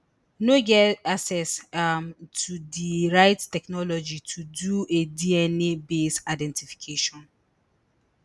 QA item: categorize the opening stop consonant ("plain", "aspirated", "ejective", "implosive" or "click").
plain